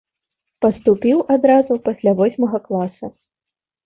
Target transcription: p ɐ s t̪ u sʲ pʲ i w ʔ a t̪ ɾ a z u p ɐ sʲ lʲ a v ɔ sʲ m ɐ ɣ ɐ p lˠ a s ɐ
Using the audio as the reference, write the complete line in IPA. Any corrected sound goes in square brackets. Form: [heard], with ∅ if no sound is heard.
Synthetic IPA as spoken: p ɐ s t̪ u [∅] pʲ i w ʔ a [d̪] ɾ a z u p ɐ sʲ lʲ a v ɔ sʲ m ɐ ɣ ɐ [k] lˠ a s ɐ